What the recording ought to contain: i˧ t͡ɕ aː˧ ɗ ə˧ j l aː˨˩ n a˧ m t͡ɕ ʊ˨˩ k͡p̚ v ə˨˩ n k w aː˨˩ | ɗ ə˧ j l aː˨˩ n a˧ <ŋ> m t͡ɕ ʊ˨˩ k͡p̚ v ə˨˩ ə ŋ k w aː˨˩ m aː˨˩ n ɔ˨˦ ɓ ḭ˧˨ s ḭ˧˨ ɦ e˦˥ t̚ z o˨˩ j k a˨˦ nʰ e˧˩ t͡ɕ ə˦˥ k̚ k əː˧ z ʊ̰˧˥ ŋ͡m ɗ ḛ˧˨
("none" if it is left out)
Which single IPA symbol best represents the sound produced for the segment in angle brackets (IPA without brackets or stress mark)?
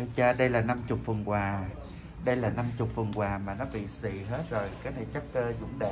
none